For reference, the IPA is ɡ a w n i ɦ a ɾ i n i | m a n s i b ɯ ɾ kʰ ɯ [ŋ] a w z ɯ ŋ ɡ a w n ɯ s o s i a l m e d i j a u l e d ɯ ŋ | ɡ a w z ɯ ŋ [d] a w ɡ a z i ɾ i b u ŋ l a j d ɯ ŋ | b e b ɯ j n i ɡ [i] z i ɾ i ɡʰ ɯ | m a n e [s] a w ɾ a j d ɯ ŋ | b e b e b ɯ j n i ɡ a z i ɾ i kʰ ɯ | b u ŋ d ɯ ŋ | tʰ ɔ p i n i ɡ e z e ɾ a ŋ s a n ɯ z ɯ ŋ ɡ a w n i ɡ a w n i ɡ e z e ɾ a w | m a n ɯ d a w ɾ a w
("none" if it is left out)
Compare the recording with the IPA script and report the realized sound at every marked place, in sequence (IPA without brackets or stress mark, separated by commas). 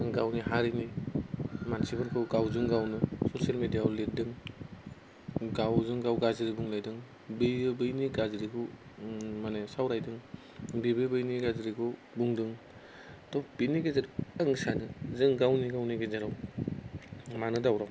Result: ɡ, ɡ, a, s